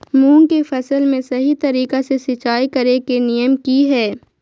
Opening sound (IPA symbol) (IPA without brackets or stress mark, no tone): m